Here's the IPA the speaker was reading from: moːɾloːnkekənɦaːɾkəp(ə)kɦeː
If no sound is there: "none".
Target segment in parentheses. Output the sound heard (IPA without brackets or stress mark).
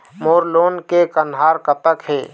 ə